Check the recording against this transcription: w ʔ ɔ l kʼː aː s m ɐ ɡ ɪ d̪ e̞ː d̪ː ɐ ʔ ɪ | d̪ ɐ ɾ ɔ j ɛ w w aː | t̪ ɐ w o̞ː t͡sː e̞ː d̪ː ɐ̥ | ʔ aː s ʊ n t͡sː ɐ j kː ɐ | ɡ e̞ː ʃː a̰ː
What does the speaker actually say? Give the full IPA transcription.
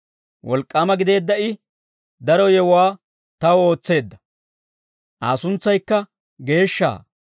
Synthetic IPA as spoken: w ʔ ɔ l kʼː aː m ɐ ɡ ɪ d̪ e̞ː d̪ː ɐ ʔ ɪ | d̪ ɐ ɾ ɔ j ɛ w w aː | t̪ ɐ w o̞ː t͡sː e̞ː d̪ː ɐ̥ | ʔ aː s ʊ n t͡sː ɐ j kː ɐ | ɡ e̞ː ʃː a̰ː